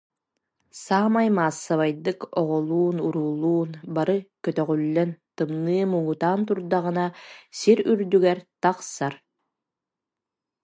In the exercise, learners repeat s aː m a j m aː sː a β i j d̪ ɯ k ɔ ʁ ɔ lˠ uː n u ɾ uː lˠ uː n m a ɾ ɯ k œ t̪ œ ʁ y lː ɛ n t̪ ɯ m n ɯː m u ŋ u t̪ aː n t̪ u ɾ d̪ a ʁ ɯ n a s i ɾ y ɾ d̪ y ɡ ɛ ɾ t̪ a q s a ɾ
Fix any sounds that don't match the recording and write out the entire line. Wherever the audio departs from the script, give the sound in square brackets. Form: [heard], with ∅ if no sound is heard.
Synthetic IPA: s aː m a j m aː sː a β [a] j d̪ ɯ k ɔ ʁ ɔ lˠ uː n u ɾ uː lˠ uː n [b] a ɾ ɯ k œ t̪ œ ʁ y lː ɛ n t̪ ɯ m n ɯː m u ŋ u t̪ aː n t̪ u ɾ d̪ a ʁ ɯ n a s i ɾ y ɾ d̪ y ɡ ɛ ɾ t̪ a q s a ɾ